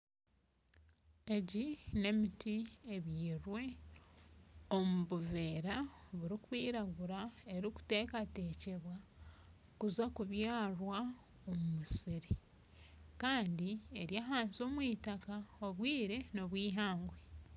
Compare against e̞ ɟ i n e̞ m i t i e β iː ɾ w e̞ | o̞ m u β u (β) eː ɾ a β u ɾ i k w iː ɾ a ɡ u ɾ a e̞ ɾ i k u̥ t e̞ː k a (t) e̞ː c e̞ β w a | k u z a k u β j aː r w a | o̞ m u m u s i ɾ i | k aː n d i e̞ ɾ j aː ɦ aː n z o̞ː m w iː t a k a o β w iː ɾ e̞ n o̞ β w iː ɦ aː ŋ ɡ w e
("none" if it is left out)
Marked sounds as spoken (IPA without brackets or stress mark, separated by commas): v, t